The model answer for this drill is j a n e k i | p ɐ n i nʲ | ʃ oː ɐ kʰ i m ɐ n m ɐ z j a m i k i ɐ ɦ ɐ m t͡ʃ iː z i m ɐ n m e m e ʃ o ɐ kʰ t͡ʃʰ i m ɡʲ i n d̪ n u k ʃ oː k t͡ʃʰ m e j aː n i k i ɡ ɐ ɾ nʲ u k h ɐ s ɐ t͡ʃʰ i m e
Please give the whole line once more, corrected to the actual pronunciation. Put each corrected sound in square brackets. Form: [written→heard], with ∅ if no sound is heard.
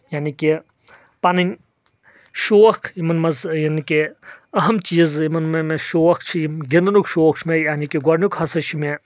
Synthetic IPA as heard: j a n [e→i] k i | p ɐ n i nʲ | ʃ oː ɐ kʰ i m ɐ n m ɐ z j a [m→n] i k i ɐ ɦ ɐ m t͡ʃ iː z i m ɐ n m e m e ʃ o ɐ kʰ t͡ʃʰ i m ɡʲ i n d̪ n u k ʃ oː k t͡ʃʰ m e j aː n i k i ɡ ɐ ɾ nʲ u k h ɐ s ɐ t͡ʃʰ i m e